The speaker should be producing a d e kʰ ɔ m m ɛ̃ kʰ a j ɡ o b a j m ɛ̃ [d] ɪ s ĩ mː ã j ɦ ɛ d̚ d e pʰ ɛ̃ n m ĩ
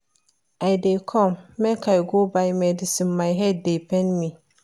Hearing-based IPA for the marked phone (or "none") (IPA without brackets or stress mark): d